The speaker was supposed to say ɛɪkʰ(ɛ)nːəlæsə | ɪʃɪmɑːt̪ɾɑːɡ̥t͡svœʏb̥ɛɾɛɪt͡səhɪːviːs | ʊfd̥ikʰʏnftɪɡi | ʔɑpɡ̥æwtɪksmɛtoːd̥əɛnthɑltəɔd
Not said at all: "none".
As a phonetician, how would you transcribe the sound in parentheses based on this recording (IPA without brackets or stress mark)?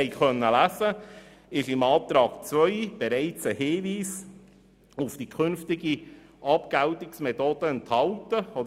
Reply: œ